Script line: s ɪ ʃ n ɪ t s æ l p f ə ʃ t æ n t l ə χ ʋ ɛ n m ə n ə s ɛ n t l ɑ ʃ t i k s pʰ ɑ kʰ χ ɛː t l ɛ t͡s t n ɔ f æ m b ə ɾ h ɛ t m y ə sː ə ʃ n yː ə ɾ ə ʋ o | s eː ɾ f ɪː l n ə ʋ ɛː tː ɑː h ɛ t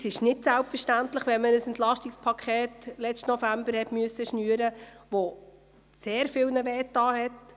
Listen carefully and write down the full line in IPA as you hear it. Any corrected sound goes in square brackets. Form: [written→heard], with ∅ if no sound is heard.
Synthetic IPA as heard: s ɪ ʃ n ɪ t s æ l p f ə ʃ t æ n t l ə χ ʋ ɛ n m ə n ə s ɛ n t l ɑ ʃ t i k s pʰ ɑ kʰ χ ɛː t l ɛ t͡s t n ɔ f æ m b ə ɾ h ɛ t m y ə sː ə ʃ n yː ə ɾ ə ʋ o | s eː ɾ f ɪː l n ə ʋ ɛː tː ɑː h ɛ t